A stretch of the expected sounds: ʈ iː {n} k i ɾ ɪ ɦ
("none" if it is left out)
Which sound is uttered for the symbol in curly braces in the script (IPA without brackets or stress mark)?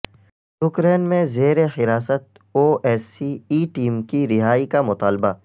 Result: m